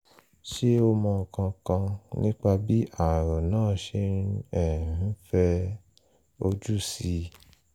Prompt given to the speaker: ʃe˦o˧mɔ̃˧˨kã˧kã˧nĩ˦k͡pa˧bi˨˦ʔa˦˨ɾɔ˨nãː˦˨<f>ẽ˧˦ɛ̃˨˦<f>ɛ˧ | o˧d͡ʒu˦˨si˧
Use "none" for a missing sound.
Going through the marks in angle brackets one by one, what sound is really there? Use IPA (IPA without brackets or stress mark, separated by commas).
ʃ, f